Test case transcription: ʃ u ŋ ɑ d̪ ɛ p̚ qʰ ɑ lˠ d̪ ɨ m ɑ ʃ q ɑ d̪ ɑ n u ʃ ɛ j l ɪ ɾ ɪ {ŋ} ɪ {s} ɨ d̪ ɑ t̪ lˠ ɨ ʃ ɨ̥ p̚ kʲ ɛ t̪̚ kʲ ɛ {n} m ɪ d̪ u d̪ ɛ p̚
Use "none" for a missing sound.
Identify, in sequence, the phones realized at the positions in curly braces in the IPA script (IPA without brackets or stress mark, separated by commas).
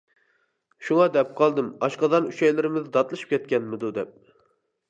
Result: m, z, n